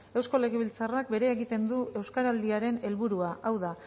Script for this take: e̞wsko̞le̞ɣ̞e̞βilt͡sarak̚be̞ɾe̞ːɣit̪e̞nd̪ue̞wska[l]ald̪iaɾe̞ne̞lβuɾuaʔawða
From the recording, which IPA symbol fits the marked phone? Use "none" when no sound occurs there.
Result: ɾ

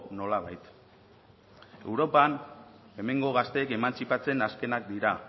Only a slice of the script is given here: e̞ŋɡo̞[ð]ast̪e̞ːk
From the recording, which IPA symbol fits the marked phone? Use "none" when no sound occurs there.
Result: ɣ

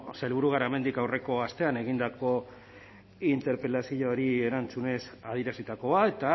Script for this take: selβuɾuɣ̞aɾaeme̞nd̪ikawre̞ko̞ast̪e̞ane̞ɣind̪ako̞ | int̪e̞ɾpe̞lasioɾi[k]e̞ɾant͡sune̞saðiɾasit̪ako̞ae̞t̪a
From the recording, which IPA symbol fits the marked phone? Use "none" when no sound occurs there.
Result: none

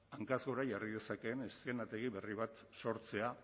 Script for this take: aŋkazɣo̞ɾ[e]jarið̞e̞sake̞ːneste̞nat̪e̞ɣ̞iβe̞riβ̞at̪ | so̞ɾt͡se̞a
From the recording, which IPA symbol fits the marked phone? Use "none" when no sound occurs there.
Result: a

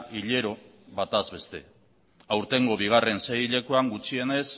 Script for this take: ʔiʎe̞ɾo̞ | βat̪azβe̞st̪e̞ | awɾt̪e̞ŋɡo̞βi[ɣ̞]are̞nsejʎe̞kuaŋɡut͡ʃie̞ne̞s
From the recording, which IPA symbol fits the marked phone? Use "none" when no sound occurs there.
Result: ɣ̞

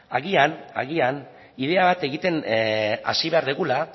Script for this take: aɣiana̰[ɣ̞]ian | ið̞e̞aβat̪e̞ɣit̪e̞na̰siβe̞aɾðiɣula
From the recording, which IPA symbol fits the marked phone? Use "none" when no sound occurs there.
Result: ɣ̞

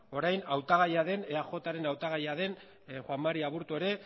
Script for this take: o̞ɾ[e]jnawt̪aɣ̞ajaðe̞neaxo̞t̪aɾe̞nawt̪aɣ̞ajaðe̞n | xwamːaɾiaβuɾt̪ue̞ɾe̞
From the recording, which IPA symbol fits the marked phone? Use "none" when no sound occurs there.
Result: a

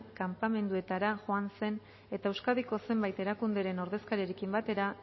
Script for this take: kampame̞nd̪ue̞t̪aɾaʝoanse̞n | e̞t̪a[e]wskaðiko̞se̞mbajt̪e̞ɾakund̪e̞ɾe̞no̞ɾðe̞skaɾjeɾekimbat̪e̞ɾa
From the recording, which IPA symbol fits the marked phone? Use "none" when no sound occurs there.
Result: e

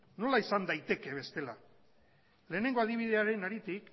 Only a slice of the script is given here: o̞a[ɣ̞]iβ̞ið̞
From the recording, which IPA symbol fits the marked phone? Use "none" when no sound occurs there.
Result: ð̞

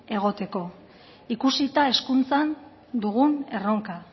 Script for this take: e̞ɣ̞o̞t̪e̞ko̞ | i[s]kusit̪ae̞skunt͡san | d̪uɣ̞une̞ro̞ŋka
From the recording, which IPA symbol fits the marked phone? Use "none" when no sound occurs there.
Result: none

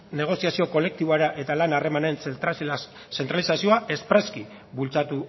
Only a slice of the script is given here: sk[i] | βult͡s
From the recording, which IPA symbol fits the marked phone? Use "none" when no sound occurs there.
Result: i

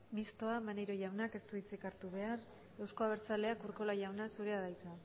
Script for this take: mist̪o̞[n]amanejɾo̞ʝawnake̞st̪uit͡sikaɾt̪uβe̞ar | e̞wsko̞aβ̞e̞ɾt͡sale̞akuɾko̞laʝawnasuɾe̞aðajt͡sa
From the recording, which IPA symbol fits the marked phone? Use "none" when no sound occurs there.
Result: none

